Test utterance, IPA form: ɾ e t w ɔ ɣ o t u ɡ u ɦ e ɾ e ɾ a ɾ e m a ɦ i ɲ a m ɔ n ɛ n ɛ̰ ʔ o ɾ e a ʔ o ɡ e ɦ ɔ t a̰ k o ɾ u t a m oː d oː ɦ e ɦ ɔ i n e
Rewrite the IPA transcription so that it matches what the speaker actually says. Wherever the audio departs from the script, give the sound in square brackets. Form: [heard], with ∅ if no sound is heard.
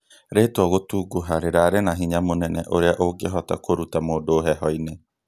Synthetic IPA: ɾ e t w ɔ ɣ o t u ɡ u ɦ [a] ɾ e ɾ a ɾ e [n] a ɦ i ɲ a m [o] n ɛ n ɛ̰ ʔ o ɾ e a ʔ o ɡ e ɦ ɔ t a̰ k o ɾ u t a m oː d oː ɦ [ɛ] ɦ ɔ i n e